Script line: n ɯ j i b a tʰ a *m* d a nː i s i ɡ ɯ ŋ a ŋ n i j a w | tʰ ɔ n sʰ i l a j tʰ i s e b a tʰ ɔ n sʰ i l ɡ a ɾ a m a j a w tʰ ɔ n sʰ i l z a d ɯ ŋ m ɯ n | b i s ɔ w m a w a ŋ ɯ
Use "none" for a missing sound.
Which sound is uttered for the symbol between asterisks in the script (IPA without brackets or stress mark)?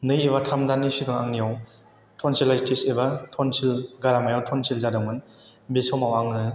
m